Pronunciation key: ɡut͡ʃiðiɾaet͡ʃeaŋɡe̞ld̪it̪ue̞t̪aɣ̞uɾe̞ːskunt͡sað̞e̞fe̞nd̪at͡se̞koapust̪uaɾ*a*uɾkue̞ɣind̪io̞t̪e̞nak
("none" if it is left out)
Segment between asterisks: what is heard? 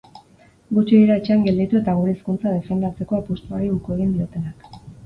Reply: i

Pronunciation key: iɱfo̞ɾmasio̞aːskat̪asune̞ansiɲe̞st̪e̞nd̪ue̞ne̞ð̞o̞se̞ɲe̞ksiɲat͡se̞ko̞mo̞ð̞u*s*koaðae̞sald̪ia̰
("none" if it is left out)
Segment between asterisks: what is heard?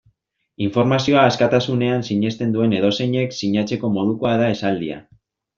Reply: none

